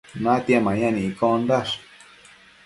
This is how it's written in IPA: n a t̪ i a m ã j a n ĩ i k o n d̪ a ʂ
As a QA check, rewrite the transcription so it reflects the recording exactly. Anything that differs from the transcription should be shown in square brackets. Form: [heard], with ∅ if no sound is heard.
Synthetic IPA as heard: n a t̪ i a m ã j a n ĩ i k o n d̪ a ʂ